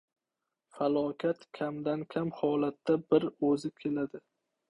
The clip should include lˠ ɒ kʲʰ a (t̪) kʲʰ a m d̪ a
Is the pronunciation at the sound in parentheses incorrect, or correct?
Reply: correct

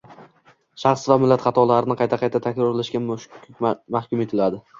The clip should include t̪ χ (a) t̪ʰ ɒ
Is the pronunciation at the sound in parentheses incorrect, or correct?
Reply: incorrect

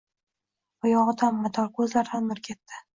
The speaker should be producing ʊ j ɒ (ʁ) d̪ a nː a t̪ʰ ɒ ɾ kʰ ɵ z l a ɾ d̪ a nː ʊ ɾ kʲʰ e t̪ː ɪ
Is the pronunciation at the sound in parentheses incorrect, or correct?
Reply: correct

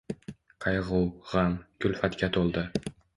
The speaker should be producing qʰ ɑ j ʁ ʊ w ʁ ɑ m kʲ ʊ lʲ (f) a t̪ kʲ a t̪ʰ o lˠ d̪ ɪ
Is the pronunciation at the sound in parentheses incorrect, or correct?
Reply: correct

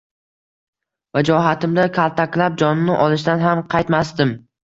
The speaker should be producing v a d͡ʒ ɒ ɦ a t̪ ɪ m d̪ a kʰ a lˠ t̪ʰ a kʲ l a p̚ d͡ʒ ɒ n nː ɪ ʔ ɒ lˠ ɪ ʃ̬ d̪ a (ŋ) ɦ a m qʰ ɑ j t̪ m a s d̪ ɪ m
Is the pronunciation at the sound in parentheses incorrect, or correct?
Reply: incorrect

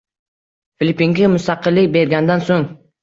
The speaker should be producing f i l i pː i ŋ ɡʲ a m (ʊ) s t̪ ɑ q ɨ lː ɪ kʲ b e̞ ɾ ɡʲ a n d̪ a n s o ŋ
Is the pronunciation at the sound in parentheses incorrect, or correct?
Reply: correct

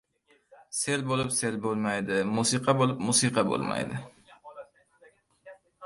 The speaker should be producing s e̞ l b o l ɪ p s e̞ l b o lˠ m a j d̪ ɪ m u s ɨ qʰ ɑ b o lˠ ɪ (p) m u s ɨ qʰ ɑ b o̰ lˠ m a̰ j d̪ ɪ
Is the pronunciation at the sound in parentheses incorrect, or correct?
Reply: correct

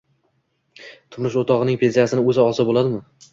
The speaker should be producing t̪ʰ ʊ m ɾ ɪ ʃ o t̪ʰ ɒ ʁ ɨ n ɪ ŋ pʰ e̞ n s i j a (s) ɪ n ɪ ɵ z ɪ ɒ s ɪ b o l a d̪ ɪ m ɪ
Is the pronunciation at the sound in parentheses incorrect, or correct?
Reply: correct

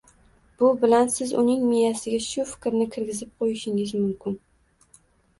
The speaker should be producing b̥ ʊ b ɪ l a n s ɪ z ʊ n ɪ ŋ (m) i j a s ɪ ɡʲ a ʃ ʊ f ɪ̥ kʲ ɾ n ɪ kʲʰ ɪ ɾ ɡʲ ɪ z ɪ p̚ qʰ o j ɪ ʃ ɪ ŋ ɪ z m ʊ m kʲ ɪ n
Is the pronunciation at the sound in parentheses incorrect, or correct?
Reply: correct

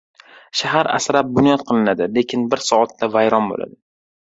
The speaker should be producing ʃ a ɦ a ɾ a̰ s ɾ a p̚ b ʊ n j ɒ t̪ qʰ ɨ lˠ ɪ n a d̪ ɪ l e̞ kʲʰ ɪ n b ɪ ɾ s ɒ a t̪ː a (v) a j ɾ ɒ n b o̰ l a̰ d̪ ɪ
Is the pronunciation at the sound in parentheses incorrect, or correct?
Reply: correct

